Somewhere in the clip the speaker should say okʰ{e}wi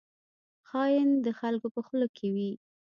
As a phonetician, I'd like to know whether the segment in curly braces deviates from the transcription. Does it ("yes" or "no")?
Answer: no